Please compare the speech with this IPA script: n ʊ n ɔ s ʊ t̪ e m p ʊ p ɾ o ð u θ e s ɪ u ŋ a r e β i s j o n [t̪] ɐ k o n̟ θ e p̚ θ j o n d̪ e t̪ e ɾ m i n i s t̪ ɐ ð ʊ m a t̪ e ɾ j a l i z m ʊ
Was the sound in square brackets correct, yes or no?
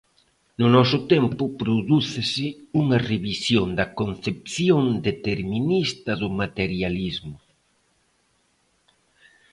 no